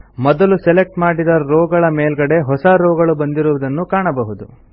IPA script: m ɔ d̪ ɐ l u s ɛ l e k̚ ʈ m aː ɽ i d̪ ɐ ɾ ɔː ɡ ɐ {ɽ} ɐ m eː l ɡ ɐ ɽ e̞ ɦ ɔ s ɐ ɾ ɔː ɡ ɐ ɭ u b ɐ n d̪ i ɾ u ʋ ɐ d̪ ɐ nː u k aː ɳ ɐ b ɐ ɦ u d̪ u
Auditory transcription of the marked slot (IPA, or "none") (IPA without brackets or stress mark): ɭ